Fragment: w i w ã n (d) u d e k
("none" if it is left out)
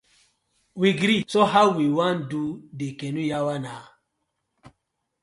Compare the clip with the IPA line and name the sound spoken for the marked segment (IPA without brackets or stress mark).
d